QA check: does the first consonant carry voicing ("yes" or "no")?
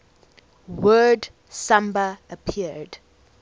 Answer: yes